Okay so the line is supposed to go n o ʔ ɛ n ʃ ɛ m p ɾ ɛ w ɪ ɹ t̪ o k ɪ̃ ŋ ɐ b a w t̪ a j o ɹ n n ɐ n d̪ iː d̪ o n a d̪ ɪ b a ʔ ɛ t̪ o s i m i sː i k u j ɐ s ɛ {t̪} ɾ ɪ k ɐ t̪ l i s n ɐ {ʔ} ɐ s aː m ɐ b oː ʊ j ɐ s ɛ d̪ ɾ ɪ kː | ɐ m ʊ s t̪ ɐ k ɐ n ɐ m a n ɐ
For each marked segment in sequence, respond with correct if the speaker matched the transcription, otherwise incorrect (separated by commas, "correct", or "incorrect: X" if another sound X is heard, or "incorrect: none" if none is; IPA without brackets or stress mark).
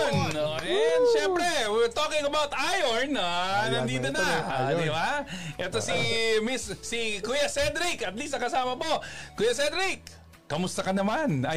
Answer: incorrect: d̪, incorrect: k